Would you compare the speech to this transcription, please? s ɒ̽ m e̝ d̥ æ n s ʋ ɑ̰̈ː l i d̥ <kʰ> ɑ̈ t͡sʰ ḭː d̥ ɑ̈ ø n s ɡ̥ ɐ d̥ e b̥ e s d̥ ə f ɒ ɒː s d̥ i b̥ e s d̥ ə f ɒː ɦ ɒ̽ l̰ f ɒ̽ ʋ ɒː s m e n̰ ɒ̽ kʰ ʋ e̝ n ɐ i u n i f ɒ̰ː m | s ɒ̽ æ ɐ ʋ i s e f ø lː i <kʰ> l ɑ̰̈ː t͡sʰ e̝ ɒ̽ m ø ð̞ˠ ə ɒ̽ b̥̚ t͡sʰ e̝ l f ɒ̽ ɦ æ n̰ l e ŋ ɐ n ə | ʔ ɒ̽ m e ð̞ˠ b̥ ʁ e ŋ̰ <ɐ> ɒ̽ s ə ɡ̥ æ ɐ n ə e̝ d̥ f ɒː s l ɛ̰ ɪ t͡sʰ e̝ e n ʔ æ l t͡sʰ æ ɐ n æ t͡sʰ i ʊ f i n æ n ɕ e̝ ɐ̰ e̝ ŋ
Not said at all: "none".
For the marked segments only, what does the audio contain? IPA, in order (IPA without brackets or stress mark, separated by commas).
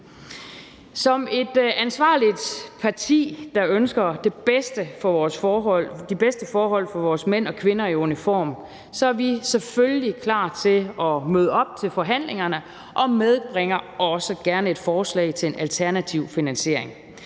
pʰ, kʰ, ɐ